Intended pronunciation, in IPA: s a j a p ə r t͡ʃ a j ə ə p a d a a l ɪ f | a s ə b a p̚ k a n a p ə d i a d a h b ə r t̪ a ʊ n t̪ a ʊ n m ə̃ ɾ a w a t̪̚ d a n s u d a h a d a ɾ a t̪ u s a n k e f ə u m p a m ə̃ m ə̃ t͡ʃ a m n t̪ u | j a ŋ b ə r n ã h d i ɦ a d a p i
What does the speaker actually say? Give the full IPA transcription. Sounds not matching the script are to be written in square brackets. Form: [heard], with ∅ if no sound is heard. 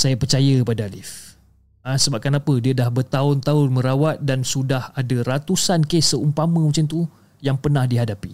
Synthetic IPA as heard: s a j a p ə r t͡ʃ a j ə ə p a d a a l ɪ f | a s ə b a p̚ k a n a p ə d i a d a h b ə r t̪ a ʊ n t̪ a ʊ n m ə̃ ɾ a w a t̪̚ d a n s u d a h a d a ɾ a t̪ u s a n k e [s] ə u m p a m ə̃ m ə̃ t͡ʃ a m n t̪ u | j a ŋ [p] ə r n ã h d i ɦ a d a p i